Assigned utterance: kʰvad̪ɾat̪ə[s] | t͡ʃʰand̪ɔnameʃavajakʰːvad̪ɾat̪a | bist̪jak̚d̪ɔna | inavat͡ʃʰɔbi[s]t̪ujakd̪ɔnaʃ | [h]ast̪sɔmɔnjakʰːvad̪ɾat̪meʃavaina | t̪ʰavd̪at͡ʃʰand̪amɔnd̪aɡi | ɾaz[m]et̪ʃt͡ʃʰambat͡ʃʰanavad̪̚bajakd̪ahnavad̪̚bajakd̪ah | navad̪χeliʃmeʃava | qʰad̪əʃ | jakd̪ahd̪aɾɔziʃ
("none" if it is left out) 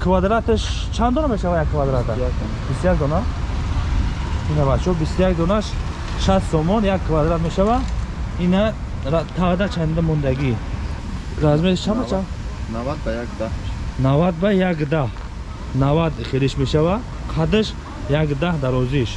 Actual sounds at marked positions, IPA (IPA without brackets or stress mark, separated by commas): ʃ, s, ʃ, m